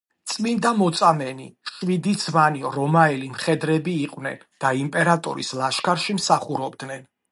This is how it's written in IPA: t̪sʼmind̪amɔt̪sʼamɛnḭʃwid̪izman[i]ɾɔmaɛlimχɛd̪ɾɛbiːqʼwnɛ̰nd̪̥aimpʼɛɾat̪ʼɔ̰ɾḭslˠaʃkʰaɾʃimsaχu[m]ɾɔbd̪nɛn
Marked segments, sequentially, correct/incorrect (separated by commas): correct, incorrect